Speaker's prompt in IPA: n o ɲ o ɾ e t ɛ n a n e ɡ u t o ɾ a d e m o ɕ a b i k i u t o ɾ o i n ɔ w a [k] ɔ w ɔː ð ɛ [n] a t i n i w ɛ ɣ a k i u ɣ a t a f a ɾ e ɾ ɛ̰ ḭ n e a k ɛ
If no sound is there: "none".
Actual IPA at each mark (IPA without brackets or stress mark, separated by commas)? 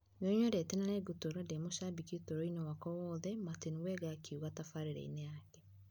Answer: k, m